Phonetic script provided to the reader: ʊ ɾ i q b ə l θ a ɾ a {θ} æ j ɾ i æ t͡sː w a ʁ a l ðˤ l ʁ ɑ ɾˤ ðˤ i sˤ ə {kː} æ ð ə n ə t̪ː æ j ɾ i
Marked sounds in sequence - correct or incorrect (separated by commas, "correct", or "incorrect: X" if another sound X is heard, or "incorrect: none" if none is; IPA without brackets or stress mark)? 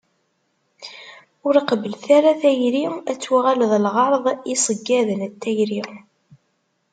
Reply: correct, incorrect: ɡː